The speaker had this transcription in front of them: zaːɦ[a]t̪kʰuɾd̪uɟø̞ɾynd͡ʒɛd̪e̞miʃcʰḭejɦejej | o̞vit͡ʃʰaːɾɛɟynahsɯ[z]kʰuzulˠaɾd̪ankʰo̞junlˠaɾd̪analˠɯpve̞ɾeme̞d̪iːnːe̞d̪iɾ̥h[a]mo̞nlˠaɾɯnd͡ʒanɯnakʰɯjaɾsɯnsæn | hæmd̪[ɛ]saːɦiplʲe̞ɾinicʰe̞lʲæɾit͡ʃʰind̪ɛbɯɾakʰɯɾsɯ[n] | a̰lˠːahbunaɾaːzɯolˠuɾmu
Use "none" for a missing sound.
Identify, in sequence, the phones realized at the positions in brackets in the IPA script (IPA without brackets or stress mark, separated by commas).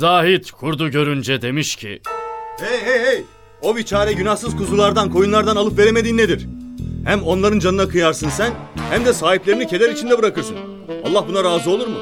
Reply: i, z, æ, ɛ, n